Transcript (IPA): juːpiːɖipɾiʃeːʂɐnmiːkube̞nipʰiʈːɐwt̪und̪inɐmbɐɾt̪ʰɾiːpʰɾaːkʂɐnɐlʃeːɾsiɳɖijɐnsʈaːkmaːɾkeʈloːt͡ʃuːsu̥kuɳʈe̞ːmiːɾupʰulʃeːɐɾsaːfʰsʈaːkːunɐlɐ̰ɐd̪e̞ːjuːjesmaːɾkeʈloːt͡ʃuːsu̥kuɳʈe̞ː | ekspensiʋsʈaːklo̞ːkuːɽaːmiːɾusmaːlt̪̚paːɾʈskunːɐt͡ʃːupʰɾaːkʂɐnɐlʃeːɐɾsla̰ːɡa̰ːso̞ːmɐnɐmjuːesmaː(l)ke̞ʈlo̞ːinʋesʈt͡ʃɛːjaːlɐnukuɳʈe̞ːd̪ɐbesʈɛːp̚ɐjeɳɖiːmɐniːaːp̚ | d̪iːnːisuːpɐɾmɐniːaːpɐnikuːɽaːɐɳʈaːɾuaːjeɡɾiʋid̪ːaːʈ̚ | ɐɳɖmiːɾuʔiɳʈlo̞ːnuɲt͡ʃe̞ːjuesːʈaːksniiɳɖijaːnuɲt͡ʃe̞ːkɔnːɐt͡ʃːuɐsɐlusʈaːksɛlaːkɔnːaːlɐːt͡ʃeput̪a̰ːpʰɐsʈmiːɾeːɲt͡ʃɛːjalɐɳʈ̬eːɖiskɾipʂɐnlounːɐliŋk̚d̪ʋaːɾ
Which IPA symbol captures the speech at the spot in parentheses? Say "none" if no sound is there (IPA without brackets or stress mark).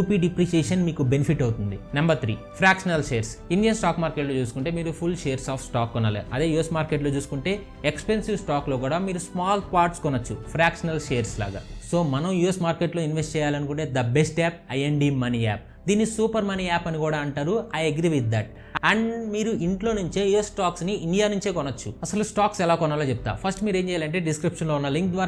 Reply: ɾ